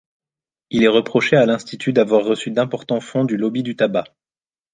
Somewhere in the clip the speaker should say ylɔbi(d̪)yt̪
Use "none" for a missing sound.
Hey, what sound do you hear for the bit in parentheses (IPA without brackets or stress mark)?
d̪